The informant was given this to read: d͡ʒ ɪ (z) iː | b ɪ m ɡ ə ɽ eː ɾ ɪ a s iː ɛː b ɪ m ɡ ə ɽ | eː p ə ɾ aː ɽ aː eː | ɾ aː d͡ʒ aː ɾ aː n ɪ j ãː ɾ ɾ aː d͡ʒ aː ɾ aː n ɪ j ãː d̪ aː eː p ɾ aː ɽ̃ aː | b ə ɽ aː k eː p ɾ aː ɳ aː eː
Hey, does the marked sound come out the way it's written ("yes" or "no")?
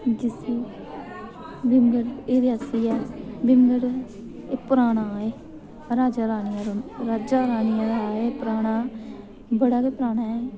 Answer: no